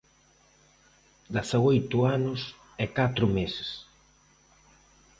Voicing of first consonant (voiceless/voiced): voiced